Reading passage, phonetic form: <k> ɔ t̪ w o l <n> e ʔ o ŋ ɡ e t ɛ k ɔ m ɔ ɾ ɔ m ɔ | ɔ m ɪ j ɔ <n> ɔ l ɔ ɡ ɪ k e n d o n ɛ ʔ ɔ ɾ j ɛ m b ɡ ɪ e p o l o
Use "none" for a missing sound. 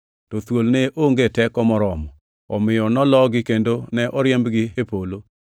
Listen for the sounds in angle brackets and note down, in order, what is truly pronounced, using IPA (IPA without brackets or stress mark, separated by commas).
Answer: t, n, n